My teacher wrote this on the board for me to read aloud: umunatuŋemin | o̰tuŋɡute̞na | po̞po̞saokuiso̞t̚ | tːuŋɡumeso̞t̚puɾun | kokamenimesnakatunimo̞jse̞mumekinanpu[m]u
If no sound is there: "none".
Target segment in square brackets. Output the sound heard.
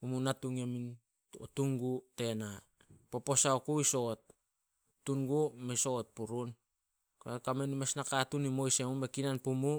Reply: m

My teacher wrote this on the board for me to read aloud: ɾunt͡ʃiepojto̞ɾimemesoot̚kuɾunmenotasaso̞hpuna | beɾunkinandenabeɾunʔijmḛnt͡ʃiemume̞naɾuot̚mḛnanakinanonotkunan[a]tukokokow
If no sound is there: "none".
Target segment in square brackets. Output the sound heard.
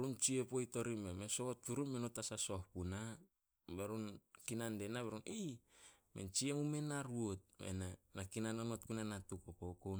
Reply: a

